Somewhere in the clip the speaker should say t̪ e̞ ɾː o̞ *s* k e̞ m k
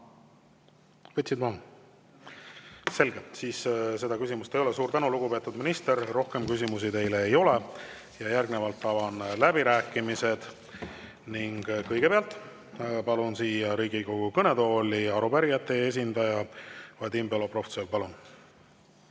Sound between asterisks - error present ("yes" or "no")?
yes